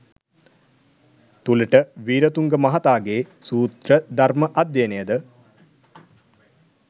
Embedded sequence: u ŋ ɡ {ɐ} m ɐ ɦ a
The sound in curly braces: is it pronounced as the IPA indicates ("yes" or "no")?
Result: no